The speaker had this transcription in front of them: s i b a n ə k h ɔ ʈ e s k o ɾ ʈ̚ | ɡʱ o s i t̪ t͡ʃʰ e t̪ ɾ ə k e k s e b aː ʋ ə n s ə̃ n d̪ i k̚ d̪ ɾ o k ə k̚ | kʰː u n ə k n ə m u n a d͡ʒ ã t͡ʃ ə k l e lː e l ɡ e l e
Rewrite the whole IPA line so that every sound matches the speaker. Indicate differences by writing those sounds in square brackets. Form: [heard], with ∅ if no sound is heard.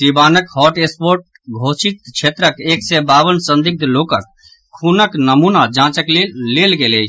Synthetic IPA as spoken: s i b a n ə k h ɔ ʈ e s [p] o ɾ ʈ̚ | ɡʱ o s i t̪ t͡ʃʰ e t̪ ɾ ə k e k s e b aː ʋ ə n s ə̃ n d̪ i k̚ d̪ [l] o k ə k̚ | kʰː u n ə k n ə m u n a d͡ʒ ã t͡ʃ ə k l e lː e l ɡ e l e